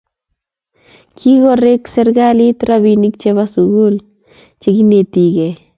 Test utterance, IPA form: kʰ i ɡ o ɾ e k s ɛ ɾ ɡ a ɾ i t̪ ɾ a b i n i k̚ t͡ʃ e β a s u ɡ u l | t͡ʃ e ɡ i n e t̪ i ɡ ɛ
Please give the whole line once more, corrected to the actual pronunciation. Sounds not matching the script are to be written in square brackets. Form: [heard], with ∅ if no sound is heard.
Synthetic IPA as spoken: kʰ i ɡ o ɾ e k s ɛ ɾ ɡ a [l] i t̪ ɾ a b i n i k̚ t͡ʃ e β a s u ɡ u l | t͡ʃ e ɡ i n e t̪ i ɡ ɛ